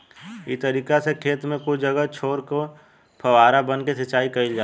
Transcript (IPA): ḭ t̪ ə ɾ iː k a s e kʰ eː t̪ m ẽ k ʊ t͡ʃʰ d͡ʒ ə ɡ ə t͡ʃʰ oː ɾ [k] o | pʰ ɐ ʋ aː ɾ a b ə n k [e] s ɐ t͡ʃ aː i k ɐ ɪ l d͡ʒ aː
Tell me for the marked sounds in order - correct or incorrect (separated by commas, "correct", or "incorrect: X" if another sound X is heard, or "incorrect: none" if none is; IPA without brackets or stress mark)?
correct, correct